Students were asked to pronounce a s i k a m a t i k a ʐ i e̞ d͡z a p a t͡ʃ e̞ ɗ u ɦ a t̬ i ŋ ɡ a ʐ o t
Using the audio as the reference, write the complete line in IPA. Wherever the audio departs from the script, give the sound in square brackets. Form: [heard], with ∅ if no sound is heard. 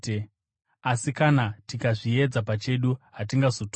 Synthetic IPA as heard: a s i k a [n] a t i k a ʐ i e̞ d͡z a p a t͡ʃ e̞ ɗ u ɦ a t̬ i ŋ ɡ a [z] o t